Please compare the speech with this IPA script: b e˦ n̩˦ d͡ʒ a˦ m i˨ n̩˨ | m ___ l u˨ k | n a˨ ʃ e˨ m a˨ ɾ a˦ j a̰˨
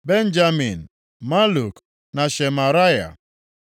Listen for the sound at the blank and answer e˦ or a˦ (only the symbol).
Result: a˦